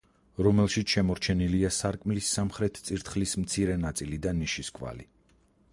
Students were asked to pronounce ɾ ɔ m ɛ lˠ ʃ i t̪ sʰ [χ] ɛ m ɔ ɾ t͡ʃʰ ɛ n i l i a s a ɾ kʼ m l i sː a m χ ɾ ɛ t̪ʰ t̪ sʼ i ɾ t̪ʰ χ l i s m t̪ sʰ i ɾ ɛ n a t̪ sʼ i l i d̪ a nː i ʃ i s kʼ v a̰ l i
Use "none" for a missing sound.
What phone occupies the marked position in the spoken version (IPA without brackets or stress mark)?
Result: ʃ